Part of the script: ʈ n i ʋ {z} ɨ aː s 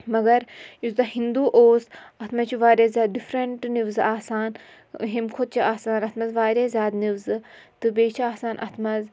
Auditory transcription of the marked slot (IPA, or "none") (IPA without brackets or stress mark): z